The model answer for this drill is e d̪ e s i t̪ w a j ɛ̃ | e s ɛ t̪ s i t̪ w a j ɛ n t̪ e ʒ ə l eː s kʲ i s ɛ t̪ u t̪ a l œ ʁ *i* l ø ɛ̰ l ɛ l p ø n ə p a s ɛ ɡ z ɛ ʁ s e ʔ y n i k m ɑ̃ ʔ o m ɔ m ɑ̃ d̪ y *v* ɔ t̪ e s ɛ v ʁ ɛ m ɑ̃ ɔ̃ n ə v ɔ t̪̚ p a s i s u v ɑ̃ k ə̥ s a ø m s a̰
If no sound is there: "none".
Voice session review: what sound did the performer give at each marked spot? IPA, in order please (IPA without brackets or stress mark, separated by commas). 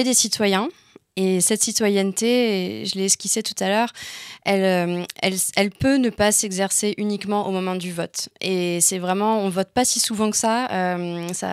ɛ, v